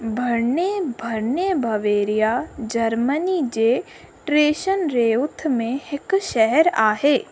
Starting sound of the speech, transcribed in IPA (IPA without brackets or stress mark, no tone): bʱ